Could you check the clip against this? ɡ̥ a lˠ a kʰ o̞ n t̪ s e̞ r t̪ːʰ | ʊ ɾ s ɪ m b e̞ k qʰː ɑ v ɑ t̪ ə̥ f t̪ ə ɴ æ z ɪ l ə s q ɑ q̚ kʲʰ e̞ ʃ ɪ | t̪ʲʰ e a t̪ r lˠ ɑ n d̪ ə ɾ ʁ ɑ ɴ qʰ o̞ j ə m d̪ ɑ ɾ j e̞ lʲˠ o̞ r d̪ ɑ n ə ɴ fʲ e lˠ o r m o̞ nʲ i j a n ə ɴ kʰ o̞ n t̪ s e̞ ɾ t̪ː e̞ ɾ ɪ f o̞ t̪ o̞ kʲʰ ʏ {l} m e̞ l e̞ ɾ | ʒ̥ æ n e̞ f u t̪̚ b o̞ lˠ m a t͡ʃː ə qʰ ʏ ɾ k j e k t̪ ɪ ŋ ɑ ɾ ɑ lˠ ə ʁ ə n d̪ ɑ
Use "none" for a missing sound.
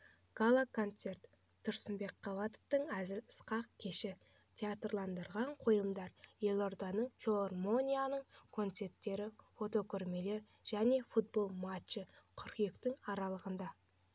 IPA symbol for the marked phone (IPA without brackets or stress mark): ɾ